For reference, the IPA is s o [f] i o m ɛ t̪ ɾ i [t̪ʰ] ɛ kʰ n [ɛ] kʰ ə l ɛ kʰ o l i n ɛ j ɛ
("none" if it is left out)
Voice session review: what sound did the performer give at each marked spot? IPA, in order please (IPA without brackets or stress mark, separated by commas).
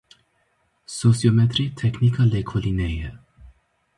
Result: s, t̪ʰ, i